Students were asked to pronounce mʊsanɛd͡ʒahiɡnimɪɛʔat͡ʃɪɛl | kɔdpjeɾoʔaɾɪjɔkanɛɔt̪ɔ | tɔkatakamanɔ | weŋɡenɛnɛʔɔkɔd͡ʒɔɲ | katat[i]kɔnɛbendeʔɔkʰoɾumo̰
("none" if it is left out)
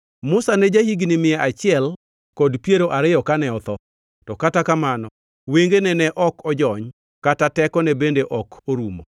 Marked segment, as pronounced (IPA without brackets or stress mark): ɛ